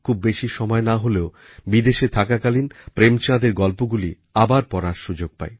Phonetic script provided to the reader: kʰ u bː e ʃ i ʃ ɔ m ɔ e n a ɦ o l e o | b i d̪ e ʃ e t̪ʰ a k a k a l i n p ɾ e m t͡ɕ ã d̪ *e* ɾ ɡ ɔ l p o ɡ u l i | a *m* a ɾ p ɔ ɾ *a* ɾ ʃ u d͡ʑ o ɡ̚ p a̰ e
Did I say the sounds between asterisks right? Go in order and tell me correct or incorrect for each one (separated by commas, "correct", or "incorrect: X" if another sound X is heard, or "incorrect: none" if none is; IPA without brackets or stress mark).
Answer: correct, incorrect: b, correct